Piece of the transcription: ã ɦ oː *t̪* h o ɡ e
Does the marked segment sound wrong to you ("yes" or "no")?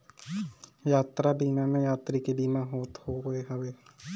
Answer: no